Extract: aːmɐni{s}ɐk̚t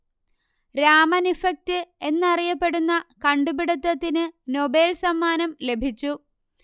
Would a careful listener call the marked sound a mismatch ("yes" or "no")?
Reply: yes